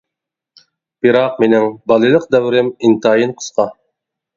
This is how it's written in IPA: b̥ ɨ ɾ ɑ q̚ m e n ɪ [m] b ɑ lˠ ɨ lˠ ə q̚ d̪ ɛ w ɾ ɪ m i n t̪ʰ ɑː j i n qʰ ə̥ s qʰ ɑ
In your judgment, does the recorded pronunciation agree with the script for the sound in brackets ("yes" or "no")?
no